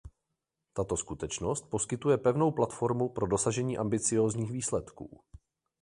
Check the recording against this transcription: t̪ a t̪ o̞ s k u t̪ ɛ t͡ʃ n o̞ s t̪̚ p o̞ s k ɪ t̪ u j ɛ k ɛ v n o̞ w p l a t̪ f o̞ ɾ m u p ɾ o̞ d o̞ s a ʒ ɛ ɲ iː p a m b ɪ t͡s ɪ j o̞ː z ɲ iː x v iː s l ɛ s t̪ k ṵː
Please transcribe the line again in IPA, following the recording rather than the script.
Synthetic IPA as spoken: t̪ a t̪ o̞ s k u t̪ ɛ t͡ʃ n o̞ s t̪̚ p o̞ s k ɪ t̪ u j ɛ p ɛ v n o̞ w p l a t̪ f o̞ ɾ m u p ɾ o̞ d o̞ s a ʒ ɛ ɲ iː ʔ a m b ɪ t͡s ɪ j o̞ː z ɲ iː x v iː s l ɛ t̪ k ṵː